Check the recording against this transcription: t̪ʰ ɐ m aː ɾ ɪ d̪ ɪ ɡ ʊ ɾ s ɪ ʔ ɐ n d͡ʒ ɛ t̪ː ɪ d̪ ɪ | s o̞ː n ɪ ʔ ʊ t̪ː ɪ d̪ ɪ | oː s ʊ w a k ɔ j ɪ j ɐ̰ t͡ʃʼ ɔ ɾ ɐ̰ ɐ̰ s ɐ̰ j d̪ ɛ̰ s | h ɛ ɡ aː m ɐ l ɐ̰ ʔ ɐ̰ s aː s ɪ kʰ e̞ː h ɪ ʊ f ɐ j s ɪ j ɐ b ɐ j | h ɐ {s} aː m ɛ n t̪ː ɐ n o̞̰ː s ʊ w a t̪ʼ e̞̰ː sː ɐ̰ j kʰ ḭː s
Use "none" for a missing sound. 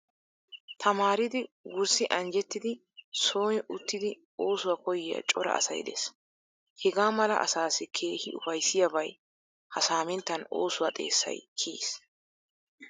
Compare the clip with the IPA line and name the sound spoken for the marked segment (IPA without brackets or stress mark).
s